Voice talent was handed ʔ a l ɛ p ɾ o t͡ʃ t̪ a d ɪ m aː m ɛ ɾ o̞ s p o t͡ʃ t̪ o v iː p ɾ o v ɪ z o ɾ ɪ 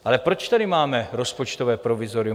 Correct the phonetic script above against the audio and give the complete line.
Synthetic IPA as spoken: ʔ a l ɛ p ɾ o t͡ʃ t̪ a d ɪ m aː m ɛ ɾ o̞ s p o t͡ʃ t̪ o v ɛː p ɾ o v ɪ z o ɾ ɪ